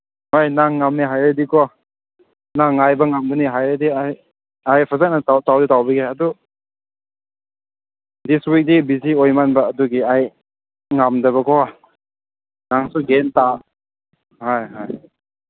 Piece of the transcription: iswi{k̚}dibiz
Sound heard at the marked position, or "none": k̚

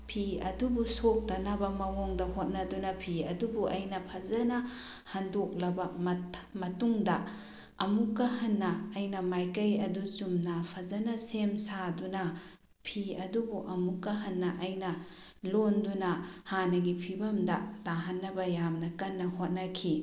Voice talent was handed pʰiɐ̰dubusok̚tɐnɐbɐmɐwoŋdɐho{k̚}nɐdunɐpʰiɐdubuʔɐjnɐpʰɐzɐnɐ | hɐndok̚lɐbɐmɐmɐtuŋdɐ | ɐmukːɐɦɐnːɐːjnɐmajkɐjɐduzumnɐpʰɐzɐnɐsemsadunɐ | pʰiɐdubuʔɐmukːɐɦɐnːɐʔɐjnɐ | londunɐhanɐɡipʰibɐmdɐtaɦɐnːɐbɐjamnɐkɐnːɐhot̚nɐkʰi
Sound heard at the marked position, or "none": t̚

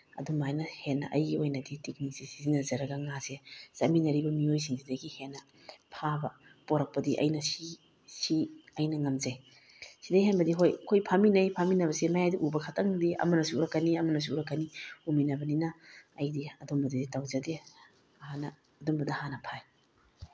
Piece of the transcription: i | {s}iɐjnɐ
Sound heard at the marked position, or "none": s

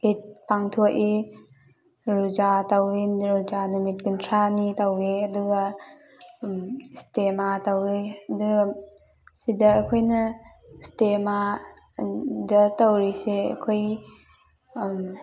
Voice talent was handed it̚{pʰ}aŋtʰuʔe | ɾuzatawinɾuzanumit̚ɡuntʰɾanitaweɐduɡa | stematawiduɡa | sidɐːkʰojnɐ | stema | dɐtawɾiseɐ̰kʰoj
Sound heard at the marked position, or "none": p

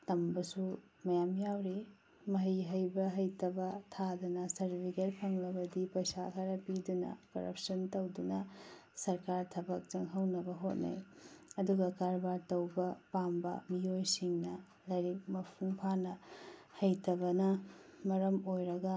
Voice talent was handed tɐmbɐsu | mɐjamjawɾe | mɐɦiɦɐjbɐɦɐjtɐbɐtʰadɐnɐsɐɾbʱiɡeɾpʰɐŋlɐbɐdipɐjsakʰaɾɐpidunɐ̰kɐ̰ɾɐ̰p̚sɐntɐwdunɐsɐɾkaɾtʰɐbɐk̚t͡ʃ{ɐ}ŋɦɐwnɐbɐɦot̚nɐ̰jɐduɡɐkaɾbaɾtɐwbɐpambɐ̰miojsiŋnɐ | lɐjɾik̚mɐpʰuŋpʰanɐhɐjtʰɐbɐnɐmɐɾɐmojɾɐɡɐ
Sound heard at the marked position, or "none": ɐ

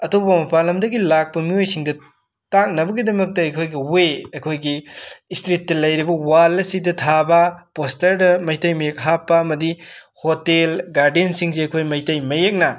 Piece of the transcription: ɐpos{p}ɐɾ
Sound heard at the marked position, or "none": t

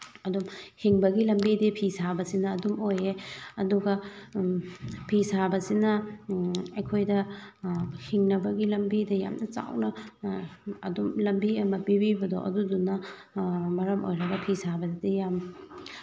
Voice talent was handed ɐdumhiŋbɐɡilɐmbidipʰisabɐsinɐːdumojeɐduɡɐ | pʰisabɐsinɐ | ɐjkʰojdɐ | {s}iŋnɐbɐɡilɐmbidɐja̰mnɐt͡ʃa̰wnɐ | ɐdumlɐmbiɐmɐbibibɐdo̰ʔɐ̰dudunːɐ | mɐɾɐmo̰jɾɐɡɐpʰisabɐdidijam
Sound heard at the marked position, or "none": h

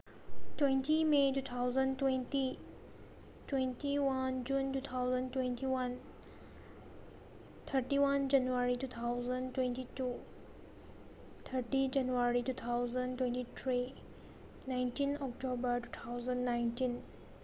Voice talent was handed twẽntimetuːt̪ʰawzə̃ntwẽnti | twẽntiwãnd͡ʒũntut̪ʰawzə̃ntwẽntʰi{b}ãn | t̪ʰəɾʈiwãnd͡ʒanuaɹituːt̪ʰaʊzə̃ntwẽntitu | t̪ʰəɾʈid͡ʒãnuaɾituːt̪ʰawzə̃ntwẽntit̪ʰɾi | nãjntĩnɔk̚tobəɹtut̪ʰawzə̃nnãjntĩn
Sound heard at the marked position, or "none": w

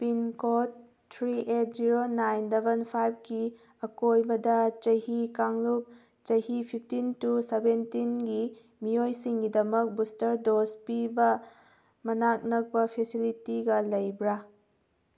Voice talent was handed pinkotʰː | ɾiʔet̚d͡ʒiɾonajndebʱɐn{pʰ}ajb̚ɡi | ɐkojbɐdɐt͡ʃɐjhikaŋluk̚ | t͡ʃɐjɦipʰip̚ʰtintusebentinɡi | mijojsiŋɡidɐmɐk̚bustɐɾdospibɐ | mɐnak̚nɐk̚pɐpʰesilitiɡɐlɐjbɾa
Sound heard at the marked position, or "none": pʰ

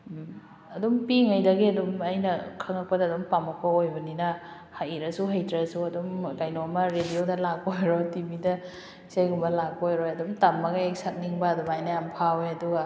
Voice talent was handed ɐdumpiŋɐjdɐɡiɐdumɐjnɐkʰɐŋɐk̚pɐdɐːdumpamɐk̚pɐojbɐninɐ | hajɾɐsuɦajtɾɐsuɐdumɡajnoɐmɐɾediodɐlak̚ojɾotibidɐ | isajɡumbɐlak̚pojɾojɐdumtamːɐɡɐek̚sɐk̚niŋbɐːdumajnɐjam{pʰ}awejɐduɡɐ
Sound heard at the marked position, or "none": pʰ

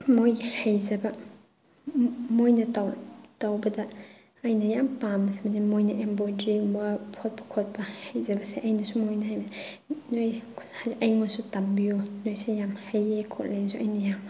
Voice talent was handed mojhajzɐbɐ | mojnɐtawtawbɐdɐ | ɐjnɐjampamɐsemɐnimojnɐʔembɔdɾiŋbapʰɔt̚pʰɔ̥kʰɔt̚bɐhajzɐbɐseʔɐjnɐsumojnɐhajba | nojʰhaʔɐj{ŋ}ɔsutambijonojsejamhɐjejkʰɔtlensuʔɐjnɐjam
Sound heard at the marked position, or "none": ŋ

